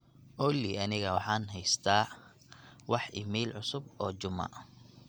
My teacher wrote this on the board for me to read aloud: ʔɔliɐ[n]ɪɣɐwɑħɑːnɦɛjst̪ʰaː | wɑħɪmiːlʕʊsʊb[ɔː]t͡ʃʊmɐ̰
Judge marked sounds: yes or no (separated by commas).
yes, yes